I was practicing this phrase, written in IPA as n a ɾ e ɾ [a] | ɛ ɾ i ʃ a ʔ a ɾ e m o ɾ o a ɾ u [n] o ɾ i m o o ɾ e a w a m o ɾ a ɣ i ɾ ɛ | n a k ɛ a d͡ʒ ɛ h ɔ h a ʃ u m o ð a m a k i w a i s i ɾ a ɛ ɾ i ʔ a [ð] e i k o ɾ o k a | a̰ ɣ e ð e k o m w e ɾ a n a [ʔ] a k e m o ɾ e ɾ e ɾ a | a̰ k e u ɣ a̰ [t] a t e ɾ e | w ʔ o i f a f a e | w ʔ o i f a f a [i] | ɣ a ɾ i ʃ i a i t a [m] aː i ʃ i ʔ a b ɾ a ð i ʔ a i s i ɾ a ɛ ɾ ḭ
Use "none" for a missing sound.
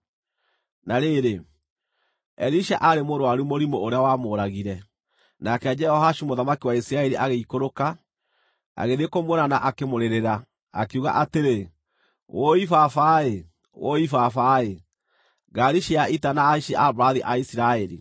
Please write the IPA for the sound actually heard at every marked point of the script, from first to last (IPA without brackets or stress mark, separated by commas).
e, m, ɣ, ʔ, ʔ, e, n